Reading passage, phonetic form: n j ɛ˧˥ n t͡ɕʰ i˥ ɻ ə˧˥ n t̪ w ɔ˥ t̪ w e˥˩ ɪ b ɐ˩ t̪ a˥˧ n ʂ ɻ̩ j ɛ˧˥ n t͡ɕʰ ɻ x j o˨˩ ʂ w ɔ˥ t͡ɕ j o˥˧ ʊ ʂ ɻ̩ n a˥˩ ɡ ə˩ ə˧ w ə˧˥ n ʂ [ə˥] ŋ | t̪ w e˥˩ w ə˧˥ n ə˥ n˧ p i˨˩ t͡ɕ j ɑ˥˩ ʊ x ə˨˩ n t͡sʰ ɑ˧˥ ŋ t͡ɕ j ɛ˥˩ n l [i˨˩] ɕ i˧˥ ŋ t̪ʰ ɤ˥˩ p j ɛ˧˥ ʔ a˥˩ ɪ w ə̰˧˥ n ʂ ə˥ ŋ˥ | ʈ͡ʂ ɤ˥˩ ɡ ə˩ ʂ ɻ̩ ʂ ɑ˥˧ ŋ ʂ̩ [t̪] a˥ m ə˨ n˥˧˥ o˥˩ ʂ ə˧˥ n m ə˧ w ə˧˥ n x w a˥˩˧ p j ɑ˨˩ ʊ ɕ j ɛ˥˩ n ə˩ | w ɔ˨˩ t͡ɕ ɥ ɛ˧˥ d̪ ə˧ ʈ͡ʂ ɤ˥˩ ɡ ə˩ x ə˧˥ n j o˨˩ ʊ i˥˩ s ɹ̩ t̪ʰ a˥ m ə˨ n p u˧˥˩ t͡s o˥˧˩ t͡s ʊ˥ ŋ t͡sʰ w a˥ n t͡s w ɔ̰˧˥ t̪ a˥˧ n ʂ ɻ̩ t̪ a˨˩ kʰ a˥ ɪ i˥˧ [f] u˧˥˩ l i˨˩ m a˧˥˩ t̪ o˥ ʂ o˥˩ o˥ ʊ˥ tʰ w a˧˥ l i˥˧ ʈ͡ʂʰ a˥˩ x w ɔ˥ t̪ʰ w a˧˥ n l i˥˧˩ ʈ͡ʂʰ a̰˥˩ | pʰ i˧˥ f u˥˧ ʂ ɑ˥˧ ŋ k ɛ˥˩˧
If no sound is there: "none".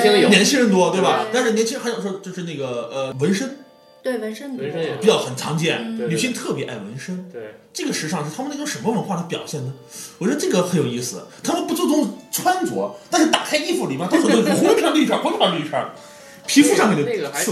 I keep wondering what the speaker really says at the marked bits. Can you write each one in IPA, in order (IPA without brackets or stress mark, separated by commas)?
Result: ə˥, y˨˩, t̪ʰ, f